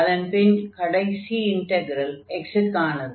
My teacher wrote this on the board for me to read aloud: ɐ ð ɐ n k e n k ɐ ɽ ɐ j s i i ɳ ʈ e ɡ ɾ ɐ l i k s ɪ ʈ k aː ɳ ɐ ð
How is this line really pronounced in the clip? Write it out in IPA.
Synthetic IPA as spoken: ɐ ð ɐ n p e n k ɐ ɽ ɐ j s i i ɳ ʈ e ɡ ɾ ɐ l e k s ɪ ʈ k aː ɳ ɐ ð